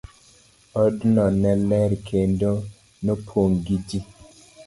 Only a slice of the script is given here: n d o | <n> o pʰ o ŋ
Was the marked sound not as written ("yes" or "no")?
no